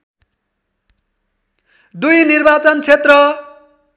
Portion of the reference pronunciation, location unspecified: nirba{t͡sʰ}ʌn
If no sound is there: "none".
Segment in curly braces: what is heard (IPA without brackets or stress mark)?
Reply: t͡s